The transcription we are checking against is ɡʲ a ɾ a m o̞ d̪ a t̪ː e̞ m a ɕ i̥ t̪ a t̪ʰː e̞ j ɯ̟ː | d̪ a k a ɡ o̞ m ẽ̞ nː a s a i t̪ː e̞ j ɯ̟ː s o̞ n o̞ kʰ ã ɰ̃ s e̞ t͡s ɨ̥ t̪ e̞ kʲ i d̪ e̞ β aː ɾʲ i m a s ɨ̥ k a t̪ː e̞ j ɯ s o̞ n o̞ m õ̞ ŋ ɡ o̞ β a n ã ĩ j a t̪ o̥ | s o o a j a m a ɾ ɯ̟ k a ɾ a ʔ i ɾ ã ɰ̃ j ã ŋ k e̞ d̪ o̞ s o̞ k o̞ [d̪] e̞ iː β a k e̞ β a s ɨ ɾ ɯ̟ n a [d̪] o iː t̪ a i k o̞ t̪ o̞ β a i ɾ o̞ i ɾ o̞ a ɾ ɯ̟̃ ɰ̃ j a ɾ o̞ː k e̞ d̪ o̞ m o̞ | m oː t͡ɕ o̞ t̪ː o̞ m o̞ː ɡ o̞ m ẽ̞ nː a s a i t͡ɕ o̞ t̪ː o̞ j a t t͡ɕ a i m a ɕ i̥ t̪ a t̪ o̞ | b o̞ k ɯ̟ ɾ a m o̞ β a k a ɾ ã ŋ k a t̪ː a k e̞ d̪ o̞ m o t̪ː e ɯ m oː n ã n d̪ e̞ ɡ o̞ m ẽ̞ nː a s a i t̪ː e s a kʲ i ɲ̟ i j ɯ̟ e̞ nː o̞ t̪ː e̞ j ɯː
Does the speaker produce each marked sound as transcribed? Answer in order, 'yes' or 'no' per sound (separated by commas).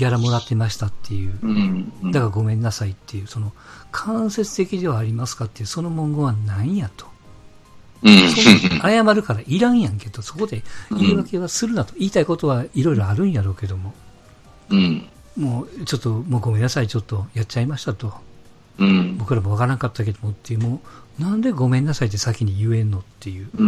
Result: yes, no